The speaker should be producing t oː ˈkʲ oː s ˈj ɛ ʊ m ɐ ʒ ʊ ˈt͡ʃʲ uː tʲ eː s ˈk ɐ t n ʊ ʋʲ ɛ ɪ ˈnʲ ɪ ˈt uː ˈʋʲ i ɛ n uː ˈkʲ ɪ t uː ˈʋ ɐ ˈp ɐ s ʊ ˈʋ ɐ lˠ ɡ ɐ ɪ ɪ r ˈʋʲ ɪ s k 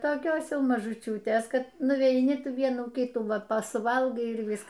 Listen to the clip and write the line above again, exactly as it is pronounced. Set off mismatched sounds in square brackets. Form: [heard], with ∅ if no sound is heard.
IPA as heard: t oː ˈkʲ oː s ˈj ɛ ʊ m ɐ ʒ ʊ ˈt͡ʃʲ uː tʲ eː s ˈk ɐ t n ʊ ʋʲ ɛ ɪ ˈnʲ ɪ ˈt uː ˈʋʲ i ɛ n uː ˈkʲ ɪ t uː ˈʋ ɐ ˈp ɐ s ʊ ˈʋ ɐ lˠ ɡ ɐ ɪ ɪ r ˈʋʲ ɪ s k